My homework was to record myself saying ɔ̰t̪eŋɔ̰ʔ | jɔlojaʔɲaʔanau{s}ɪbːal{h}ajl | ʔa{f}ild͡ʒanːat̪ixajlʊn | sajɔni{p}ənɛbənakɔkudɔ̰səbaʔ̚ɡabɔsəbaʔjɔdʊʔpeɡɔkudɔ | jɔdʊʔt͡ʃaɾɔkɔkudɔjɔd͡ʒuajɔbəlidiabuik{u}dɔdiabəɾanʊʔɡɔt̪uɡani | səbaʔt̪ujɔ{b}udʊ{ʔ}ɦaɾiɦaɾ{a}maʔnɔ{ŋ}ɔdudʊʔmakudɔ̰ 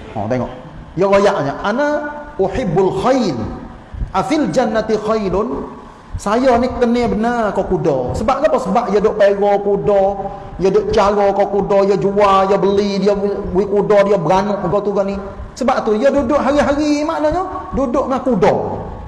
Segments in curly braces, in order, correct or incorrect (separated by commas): incorrect, incorrect, correct, incorrect, correct, incorrect, correct, incorrect, incorrect